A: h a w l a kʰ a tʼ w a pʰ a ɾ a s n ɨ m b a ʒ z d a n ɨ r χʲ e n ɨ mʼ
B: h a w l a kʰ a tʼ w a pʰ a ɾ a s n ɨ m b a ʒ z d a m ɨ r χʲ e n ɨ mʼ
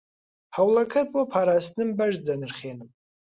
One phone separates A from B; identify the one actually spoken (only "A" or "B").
A